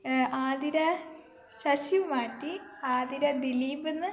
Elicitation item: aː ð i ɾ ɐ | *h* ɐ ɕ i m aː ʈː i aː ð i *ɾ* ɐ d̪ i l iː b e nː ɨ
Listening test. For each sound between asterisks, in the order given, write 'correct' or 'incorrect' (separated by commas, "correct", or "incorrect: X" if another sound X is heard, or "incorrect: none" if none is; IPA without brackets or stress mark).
incorrect: ɕ, correct